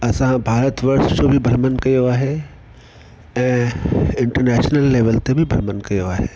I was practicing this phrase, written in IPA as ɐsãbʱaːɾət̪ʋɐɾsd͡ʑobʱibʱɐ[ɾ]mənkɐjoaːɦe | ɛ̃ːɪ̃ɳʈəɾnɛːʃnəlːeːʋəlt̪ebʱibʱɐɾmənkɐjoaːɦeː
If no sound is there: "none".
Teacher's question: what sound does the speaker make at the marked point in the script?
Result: ɾ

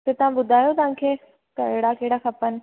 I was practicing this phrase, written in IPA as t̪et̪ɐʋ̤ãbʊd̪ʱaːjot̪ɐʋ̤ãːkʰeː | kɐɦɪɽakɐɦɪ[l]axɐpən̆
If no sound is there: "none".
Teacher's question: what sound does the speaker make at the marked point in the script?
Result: ɽ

